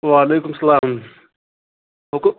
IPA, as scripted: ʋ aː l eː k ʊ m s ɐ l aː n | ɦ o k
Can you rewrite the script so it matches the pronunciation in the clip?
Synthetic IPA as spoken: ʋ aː l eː k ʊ m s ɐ l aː m | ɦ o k